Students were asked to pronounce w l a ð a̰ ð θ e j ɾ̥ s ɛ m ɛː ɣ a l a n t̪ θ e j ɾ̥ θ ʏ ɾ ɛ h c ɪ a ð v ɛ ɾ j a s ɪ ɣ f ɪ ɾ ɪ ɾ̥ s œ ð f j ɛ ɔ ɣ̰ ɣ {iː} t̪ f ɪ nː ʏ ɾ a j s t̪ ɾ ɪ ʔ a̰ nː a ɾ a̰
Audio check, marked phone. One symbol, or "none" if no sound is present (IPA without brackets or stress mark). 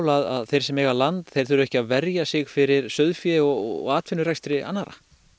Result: aː